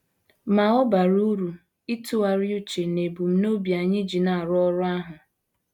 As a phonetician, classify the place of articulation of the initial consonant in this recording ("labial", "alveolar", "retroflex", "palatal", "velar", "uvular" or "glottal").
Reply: labial